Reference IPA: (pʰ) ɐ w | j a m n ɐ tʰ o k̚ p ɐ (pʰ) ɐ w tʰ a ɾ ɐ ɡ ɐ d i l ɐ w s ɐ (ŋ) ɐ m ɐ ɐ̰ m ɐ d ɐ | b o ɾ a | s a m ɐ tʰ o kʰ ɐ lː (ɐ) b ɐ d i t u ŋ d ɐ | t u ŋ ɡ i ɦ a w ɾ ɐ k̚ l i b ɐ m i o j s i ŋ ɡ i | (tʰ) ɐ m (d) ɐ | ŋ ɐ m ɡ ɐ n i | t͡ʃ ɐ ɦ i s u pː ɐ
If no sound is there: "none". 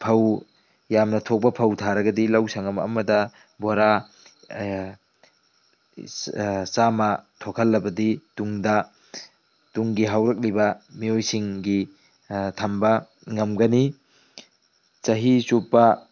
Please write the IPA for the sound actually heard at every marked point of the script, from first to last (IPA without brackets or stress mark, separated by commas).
pʰ, pʰ, ŋ, ɐ, tʰ, b